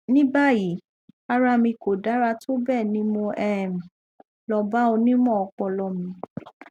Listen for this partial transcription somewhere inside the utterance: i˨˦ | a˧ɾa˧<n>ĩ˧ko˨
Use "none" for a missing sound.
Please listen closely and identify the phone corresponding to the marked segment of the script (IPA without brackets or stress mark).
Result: m